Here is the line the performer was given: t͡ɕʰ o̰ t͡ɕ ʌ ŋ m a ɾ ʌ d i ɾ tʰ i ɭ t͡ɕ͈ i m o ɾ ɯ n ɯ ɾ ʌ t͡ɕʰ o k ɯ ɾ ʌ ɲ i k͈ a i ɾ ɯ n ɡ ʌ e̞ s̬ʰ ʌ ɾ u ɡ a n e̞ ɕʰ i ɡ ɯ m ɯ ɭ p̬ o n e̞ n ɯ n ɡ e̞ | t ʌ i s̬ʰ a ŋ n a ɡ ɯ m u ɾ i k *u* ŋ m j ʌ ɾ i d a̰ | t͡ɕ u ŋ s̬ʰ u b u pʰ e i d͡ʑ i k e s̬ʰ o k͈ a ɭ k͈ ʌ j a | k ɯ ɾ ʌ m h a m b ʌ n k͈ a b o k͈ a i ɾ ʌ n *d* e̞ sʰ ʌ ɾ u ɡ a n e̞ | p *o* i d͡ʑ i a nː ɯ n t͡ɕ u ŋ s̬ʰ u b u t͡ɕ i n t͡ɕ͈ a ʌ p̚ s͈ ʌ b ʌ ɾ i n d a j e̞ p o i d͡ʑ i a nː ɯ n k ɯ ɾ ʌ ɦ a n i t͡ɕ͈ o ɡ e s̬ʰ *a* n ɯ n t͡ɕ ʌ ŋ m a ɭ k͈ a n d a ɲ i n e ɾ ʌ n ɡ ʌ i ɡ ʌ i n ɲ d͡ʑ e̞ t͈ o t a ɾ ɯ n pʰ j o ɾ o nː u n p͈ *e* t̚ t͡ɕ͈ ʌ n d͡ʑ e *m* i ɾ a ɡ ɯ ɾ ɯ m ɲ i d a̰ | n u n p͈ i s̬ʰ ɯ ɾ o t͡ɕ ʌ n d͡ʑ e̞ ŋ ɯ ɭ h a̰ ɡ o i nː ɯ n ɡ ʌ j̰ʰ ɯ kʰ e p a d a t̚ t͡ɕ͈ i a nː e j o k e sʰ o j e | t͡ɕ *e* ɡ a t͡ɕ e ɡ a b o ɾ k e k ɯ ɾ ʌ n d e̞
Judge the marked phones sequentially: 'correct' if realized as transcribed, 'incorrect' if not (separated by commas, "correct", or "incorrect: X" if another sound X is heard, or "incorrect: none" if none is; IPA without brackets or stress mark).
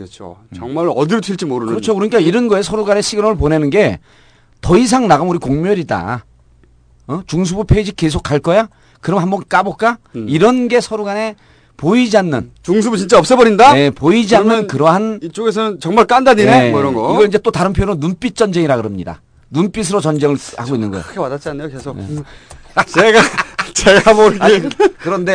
incorrect: o, incorrect: ɡ, correct, incorrect: ʌ, incorrect: i, incorrect: ŋ, correct